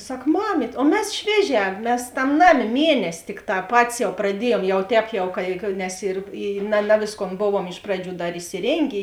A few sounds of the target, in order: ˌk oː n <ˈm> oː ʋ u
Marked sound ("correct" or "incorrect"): incorrect